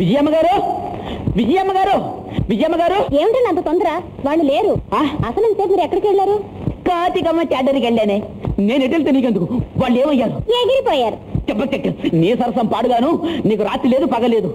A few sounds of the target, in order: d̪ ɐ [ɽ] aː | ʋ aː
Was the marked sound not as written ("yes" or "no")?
yes